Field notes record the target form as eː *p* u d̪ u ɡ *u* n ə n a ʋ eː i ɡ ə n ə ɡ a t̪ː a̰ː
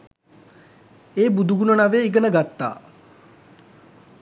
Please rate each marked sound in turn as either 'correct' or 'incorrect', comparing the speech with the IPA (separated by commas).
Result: incorrect, correct